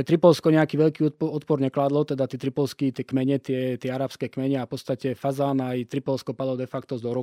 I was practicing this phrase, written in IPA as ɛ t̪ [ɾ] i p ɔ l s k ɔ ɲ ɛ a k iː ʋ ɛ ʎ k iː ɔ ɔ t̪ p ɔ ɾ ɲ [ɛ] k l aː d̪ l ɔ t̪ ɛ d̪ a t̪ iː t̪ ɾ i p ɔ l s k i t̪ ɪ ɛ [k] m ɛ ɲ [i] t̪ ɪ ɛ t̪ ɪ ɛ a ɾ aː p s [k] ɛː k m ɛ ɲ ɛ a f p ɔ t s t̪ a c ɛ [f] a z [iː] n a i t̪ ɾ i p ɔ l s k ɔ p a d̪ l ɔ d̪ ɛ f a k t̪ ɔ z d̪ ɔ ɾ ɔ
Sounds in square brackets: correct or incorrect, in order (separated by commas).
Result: correct, correct, correct, incorrect, correct, correct, incorrect